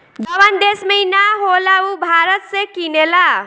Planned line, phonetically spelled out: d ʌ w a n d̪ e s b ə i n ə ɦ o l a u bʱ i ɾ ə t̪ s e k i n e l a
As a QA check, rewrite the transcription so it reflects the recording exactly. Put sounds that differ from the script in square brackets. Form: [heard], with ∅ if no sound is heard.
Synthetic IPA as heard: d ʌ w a n d̪ e s [m] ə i n [a] ɦ o l a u bʱ [a] ɾ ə t̪ s e k i n e l a